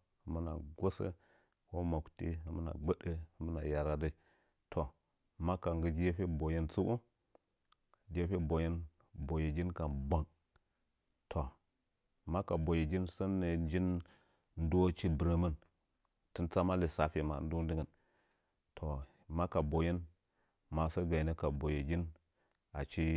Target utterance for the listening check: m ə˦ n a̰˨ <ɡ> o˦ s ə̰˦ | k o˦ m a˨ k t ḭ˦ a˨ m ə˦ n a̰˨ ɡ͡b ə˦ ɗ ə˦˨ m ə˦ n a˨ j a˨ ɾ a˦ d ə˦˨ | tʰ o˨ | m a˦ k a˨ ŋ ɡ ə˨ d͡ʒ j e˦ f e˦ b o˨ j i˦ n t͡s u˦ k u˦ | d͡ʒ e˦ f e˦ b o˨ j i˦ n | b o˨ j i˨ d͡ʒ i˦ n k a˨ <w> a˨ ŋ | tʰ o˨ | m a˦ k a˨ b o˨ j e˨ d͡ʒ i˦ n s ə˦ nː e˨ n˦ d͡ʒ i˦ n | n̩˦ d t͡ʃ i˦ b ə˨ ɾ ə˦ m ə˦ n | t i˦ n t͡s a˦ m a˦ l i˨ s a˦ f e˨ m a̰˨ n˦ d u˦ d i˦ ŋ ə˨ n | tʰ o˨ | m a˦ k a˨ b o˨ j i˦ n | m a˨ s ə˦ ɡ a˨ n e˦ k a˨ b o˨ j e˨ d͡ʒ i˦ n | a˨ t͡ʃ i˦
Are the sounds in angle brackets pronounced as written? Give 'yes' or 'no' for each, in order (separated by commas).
yes, no